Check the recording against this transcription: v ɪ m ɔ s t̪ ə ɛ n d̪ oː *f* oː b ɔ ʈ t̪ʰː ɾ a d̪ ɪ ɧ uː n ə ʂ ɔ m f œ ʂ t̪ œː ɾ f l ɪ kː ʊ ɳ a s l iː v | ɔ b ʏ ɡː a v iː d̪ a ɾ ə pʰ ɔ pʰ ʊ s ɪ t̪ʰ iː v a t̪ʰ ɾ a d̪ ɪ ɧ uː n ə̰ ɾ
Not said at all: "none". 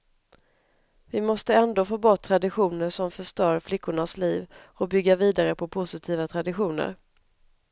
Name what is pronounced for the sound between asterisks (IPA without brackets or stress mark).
f